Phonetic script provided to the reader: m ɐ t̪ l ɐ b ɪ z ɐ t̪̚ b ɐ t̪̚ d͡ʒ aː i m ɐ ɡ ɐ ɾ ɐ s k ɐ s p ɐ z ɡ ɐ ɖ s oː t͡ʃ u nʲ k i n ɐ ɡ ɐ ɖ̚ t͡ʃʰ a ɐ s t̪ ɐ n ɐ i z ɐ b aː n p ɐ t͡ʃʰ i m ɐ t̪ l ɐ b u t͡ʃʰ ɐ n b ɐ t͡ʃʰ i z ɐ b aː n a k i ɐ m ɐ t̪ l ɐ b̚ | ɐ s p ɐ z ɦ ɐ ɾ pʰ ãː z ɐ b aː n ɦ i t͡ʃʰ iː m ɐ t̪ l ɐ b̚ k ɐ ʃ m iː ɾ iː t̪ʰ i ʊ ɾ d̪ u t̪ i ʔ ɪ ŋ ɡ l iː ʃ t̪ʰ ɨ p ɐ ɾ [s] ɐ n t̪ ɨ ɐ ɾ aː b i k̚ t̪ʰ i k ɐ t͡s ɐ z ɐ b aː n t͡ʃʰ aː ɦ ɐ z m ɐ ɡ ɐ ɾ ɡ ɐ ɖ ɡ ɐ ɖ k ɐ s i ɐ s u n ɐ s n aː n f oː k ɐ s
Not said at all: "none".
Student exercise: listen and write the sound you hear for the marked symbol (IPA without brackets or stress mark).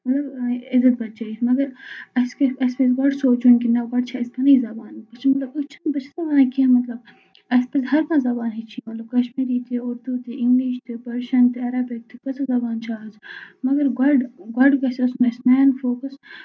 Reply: ʃ